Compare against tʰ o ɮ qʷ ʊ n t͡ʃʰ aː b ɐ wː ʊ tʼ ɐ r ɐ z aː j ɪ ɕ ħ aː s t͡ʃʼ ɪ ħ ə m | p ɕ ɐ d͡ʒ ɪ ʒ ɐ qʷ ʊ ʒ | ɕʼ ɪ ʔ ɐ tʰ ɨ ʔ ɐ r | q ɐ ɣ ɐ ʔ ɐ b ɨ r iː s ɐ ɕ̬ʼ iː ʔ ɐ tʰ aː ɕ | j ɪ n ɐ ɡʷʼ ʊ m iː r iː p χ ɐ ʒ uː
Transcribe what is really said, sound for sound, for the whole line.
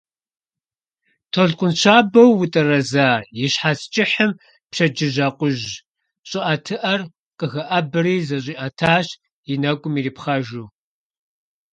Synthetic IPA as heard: tʰ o ɮ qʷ ʊ n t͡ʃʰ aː b ɐ wː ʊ tʼ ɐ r ɐ z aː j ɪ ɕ ħ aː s t͡ʃʼ ɪ ħ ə m | p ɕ ɐ d͡ʒ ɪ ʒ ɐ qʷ ʊ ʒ | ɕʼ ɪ ʔ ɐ tʰ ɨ ʔ ɐ r | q ə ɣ ɐ ʔ ɐ b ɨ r iː z ɐ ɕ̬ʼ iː ʔ ɐ tʰ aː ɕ | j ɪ n ɐ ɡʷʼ ʊ m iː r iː p χ ɐ ʒ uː